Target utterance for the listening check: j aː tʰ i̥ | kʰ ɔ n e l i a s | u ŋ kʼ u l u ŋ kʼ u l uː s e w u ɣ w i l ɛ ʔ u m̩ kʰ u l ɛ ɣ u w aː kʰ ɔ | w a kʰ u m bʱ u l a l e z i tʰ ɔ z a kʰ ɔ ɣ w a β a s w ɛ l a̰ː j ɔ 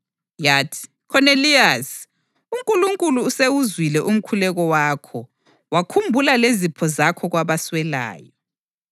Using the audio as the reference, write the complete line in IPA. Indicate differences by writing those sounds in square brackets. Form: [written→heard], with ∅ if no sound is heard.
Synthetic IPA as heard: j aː tʰ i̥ | kʰ ɔ n e l i a s | u ŋ kʼ u l u ŋ kʼ u l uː s e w u [ɣ→z] w i l ɛ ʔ u m̩ kʰ u l ɛ ɣ [u→ɔ] w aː kʰ ɔ | w a kʰ u m bʱ u l a l e z i [tʰ→pʰ] ɔ z a kʰ ɔ ɣ w a β a s w ɛ l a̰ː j ɔ